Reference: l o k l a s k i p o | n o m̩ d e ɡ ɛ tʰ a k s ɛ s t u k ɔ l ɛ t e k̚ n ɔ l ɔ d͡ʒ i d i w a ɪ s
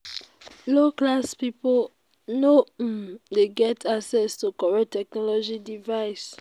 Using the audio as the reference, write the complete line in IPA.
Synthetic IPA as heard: l o k l a s p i p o | n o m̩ d e ɡ ɛ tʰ a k s ɛ s t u k ɔ ɹ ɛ t ɛ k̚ n ɔ l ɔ d͡ʒ i d i v a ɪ s